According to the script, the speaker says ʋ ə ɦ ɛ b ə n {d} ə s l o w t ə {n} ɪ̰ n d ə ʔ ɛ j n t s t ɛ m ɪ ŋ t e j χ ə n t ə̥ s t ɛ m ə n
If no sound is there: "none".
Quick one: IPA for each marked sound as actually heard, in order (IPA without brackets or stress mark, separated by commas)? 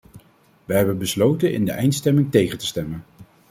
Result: b, n